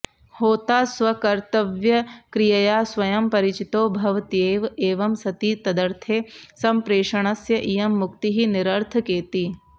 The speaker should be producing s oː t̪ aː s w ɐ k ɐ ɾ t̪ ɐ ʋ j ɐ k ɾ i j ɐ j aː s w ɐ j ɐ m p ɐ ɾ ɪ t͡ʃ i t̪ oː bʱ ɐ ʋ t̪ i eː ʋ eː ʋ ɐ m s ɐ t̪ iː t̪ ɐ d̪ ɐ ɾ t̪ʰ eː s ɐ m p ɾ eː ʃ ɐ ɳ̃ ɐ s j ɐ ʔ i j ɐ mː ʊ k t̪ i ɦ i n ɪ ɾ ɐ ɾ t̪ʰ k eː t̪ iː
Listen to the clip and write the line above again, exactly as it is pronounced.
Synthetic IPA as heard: h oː t̪ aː s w ɐ k ɐ ɾ t̪ ɐ ʋ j ɐ k ɾ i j ɐ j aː s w ɐ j ɐ m p ɐ ɾ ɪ t͡ʃ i t̪ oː bʱ ɐ ʋ t̪ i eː ʋ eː ʋ ɐ m s ɐ t̪ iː t̪ ɐ d̪ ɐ ɾ t̪ʰ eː s ɐ m p ɾ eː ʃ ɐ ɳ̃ ɐ s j ɐ ʔ i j ɐ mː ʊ k t̪ i ɦ i n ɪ ɾ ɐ ɾ t̪ʰ k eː t̪ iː